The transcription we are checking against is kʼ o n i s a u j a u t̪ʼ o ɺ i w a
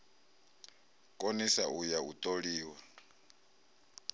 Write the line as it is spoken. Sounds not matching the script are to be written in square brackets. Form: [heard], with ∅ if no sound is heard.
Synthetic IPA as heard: kʼ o n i s a u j a u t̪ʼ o ɺ [iː] w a